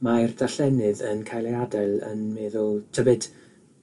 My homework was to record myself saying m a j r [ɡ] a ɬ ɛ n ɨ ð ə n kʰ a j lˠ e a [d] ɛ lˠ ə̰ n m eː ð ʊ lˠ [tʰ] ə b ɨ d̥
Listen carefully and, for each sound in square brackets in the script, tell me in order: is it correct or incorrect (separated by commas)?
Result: incorrect, correct, correct